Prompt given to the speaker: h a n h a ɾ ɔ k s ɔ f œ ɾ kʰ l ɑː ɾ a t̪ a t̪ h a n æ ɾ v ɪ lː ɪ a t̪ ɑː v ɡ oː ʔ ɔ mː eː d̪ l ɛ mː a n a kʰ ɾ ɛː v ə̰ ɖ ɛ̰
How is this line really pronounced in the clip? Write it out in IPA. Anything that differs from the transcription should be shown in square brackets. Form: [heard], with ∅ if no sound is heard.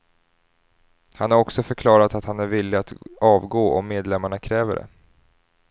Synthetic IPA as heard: h a n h a ɾ ɔ k s ɔ f œ ɾ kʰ l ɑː ɾ a t̪ a t̪ h a n æ ɾ v ɪ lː ɪ a t̪ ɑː v ɡ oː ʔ ɔ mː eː d̪ l ɛ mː a [ɳ] a kʰ ɾ ɛː v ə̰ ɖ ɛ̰

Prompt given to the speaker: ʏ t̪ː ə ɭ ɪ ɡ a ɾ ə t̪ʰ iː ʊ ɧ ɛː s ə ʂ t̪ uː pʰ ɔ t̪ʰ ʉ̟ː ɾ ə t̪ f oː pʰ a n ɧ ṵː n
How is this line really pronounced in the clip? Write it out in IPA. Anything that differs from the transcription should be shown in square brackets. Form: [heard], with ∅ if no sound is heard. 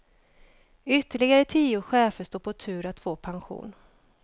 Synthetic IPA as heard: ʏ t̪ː ə ɭ ɪ ɡ a ɾ ə t̪ʰ iː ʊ ɧ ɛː [f] ə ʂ t̪ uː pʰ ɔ t̪ʰ ʉ̟ː ɾ [a] t̪ f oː pʰ a n ɧ ṵː n

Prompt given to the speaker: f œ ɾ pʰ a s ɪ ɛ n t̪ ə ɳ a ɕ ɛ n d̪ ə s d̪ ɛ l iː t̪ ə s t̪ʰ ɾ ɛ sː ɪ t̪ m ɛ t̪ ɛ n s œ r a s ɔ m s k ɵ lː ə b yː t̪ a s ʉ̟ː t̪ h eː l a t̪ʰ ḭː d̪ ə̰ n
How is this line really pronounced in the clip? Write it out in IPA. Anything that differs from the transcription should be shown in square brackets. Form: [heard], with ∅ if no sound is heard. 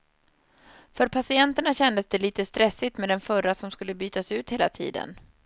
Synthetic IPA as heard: f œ ɾ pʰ a s ɪ ɛ n t̪ ə ɳ a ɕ ɛ n d̪ ə s d̪ ɛ l iː t̪ ə s [t̪] ɾ ɛ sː ɪ t̪ m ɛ [d̪] ɛ n [f] œ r a s ɔ m s k ɵ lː ə b yː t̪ a s ʉ̟ː t̪ h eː l a t̪ʰ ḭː d̪ ə̰ n

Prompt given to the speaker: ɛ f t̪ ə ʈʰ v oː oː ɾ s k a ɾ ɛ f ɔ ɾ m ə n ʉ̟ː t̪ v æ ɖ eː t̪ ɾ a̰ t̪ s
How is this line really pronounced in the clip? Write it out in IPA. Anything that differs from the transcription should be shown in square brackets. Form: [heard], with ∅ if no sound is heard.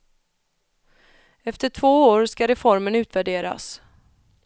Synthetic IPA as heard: ɛ f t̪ ə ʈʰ v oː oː ɾ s k a ɾ ɛ f ɔ ɾ m ə n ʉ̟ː t̪ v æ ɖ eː [∅] ɾ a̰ [∅] s

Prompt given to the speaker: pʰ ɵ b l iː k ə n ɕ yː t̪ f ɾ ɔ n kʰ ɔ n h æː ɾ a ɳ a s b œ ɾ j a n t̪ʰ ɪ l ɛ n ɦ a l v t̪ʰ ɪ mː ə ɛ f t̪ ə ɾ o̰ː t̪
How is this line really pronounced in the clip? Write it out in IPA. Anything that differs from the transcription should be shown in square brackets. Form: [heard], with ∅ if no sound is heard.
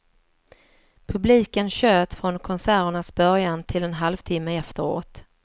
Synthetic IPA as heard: pʰ ɵ b l iː k ə n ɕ [øː] t̪ f ɾ ɔ n kʰ ɔ n [s] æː ɾ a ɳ a s b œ ɾ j a n t̪ʰ ɪ l ɛ n ɦ a l v t̪ʰ ɪ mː ə ɛ f t̪ ə ɾ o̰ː t̪

